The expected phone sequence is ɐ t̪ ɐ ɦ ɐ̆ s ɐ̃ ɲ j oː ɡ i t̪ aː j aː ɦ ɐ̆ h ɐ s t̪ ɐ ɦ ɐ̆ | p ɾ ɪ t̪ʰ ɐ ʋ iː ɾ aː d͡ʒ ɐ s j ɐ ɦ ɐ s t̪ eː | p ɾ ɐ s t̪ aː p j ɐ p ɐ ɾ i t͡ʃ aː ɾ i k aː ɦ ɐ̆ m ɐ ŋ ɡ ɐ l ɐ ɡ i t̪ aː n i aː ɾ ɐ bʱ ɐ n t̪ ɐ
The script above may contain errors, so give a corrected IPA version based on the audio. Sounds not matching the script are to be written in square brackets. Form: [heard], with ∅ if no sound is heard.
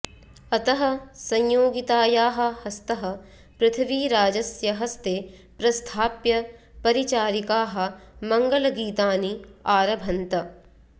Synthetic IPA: ɐ t̪ ɐ ɦ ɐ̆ s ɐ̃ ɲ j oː ɡ i t̪ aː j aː ɦ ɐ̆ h ɐ s t̪ ɐ ɦ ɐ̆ | p ɾ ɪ t̪ʰ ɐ ʋ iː ɾ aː d͡ʒ ɐ s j ɐ ɦ ɐ s t̪ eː | p ɾ ɐ s [t̪ʰ] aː p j ɐ p ɐ ɾ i t͡ʃ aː ɾ i k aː ɦ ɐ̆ m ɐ ŋ ɡ ɐ l ɐ ɡ [iː] t̪ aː n i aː ɾ ɐ bʱ ɐ n t̪ ɐ